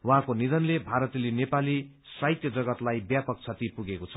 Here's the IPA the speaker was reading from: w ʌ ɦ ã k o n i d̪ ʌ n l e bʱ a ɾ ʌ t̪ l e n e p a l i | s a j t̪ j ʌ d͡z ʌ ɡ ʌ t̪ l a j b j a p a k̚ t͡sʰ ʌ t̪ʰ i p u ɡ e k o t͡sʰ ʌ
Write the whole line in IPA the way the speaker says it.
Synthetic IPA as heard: w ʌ ɦ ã k o n i d̪ ʌ n l e bʱ a ɾ ʌ t̪ l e n e p a l i | s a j t̪ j ʌ d͡z ʌ ɡ ʌ t̪ l a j b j a p ʌ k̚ t͡sʰ ʌ t̪ i p u ɡ e k o t͡sʰ ʌ